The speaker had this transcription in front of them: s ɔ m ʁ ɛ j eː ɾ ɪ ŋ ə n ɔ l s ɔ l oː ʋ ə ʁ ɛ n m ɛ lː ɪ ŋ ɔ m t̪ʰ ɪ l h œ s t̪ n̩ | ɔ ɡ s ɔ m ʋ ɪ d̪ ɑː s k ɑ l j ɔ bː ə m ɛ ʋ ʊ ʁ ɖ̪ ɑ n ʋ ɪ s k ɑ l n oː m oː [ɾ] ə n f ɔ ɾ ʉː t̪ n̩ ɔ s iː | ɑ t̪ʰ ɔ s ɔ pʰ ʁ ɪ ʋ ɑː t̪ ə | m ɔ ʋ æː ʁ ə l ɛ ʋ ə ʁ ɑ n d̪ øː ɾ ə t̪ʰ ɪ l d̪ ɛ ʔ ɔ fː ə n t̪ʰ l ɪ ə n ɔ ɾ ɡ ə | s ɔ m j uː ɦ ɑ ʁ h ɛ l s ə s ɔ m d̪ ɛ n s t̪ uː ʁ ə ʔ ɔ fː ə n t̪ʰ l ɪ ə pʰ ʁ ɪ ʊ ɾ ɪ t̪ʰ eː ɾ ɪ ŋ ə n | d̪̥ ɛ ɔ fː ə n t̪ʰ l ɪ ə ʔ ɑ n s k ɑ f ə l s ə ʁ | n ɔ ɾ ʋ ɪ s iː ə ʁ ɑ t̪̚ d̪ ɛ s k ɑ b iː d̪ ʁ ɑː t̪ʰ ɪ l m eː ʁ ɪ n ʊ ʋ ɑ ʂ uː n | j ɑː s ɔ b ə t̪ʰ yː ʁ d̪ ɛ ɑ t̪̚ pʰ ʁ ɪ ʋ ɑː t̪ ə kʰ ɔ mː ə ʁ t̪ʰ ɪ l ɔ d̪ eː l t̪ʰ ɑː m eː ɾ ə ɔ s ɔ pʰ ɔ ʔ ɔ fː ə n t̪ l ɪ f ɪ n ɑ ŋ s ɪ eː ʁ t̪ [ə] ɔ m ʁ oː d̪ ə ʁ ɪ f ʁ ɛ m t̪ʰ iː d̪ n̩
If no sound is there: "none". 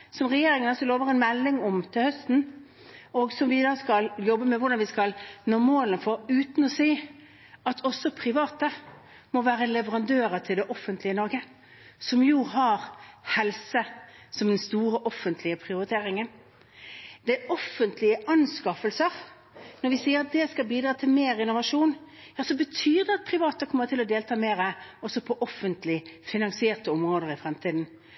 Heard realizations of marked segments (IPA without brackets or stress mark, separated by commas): l, ə